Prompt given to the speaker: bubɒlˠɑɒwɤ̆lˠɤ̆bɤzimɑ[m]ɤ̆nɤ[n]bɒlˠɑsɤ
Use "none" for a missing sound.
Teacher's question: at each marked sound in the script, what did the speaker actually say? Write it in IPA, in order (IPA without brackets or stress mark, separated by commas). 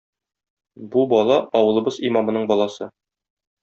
m, ɴ